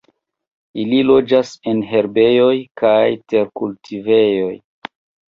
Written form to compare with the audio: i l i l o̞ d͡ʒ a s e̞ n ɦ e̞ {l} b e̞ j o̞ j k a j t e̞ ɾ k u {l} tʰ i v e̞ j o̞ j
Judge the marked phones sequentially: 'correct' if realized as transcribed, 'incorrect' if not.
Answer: incorrect: ɾ, correct

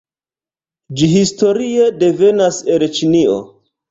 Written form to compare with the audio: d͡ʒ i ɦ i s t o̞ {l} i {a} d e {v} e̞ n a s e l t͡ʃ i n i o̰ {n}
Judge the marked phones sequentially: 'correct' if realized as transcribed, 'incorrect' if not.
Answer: incorrect: ɾ, incorrect: e, correct, incorrect: none

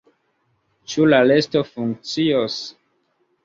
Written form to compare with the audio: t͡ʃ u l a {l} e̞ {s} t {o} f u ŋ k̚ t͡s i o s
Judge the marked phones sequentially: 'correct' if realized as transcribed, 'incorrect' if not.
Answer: correct, correct, correct

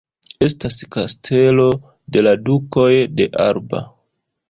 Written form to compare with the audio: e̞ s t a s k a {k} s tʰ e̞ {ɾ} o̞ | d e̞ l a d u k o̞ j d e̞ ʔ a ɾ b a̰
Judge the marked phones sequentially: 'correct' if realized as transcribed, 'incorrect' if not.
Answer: incorrect: none, incorrect: l

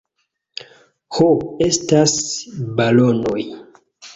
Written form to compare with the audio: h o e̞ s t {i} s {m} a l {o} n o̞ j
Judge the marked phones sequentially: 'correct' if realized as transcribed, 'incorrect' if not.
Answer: incorrect: a, incorrect: b, correct

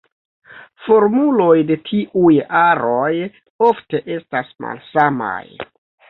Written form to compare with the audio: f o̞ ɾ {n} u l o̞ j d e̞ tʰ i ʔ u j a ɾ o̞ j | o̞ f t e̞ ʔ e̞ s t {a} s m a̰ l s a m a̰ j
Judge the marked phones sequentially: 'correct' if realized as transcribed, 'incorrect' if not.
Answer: incorrect: m, correct

